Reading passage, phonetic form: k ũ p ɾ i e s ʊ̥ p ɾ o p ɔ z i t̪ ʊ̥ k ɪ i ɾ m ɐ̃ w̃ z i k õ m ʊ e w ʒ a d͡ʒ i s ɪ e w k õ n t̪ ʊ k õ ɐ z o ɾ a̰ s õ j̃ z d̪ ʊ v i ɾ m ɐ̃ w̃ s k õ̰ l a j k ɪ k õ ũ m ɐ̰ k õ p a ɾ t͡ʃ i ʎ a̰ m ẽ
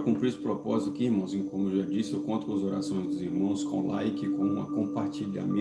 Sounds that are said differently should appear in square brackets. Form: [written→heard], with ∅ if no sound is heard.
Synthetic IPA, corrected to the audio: k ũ p ɾ i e s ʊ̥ p ɾ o p ɔ z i t̪ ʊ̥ k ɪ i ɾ m ɐ̃ w̃ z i k õ m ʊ e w ʒ a d͡ʒ i s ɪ e w k õ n t̪ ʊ k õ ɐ z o ɾ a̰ s õ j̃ z d̪ ʊ [v→z] i ɾ m ɐ̃ w̃ s k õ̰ l a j k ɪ k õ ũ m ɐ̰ k õ p a ɾ t͡ʃ i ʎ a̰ m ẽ